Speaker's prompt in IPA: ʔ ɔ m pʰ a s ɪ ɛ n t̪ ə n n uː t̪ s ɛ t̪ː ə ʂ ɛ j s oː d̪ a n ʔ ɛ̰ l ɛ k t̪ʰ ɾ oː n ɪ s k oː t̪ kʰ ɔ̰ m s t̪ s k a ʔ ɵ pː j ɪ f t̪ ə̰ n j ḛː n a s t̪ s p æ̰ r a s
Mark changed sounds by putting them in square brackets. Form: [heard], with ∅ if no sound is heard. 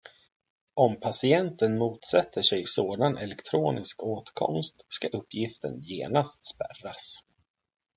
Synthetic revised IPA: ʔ ɔ m pʰ a s ɪ ɛ n t̪ ə n [m] uː t̪ s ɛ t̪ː ə ʂ ɛ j s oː d̪ a n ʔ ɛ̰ l ɛ k t̪ʰ ɾ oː n ɪ s k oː t̪ kʰ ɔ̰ m s t̪ s k a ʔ ɵ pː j ɪ f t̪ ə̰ n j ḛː n a s t̪ s p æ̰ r a s